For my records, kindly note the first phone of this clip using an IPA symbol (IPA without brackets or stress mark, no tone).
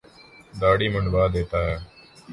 d̪